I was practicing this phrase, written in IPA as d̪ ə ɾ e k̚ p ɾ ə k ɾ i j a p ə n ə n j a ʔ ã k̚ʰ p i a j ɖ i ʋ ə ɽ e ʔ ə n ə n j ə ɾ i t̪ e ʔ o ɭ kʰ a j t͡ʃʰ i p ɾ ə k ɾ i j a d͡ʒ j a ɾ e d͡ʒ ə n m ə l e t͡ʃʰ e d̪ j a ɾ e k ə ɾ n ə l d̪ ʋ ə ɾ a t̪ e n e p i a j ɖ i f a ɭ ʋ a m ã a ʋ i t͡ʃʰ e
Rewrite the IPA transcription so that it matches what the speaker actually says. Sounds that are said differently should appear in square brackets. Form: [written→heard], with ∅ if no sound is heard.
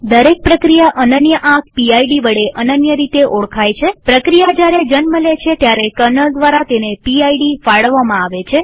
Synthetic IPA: d̪ ə ɾ e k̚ p ɾ ə k ɾ i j a [p→ʔ] ə n ə n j [a→ə] ʔ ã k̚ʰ p i a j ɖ i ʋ ə ɽ e ʔ ə n ə n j ə ɾ i t̪ e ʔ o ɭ kʰ a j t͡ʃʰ [i→e] p ɾ ə k ɾ i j a d͡ʒ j a ɾ e d͡ʒ ə n m ə l e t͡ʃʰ e [d̪→t̪] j a ɾ e k ə ɾ n ə l d̪ ʋ [ə→a] ɾ a t̪ e n e p i a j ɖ i f a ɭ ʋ a m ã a ʋ [i→e] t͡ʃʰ e